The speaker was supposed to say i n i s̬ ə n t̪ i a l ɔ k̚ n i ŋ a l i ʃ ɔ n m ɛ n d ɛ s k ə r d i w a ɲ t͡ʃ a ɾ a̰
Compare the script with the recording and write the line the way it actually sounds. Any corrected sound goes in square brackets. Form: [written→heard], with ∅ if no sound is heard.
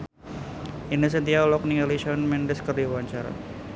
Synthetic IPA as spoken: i n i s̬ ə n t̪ i a l ɔ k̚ n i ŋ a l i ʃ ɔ n m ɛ n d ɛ s k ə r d i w a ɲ t͡ʃ a ɾ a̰